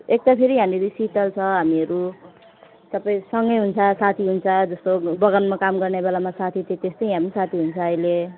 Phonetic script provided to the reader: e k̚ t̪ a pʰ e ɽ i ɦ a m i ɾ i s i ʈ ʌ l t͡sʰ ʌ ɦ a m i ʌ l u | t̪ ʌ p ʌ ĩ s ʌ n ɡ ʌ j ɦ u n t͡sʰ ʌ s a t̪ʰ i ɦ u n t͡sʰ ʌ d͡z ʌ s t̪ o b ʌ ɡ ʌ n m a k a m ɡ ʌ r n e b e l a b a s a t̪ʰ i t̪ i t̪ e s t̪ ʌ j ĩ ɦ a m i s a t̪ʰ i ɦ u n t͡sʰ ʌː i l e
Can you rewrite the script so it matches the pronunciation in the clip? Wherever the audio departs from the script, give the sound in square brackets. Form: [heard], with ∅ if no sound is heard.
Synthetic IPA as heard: e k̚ t̪ a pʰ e [ɾ] i ɦ a m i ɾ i s i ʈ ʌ l t͡sʰ ʌ ɦ a m i ʌ [ɾ] u | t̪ ʌ p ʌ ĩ s ʌ [ŋ] ɡ ʌ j ɦ u n t͡sʰ ʌ s a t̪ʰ i ɦ u n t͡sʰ ʌ d͡z ʌ s t̪ o b ʌ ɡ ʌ n m a k a m ɡ ʌ r n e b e l a [m] a s a t̪ʰ i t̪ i t̪ e s t̪ ʌ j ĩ ɦ a m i s a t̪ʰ i ɦ u n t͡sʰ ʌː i l e